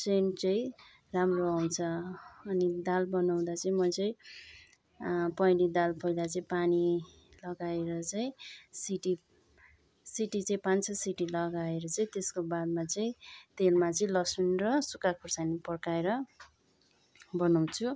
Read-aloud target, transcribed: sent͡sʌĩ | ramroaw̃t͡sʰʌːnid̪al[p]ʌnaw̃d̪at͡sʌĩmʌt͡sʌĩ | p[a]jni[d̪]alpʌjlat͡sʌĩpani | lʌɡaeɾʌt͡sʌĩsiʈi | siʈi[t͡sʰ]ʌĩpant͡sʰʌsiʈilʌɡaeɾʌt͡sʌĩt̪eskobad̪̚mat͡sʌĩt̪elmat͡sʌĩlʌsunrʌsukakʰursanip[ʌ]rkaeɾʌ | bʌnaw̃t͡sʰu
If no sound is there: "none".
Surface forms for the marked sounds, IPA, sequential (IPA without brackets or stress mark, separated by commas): b, ʌ, d̪, t͡s, ʌ